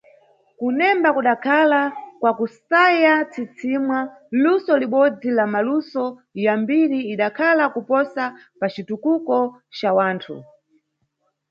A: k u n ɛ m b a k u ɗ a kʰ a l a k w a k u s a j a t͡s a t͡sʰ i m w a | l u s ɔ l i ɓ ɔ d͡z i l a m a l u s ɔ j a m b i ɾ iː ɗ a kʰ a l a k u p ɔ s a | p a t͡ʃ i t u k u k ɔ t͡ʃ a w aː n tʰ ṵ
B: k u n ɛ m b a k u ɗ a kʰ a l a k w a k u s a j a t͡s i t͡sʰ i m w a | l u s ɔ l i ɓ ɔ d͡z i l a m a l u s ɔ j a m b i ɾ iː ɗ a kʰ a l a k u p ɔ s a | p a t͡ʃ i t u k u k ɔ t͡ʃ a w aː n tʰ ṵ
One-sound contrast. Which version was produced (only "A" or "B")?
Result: B